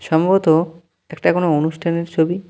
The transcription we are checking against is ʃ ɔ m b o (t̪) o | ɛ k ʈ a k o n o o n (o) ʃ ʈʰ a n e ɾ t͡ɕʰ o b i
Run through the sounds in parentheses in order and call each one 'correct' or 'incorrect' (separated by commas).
correct, incorrect